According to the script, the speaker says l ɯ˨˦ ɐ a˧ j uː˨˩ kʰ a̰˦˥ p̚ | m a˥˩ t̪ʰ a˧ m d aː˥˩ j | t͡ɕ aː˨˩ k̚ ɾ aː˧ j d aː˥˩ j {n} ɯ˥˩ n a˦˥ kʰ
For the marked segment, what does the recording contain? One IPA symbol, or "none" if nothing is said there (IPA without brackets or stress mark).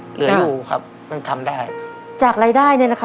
n